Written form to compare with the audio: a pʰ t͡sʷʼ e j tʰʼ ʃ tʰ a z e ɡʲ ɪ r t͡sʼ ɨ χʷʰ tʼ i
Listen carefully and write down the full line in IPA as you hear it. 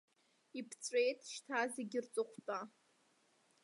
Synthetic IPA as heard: i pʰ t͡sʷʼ e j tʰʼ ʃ tʰ a z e ɡʲ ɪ r t͡sʼ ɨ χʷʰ tʼ a